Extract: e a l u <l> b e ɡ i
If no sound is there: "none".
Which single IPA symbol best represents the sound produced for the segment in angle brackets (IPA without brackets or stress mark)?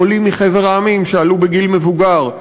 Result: none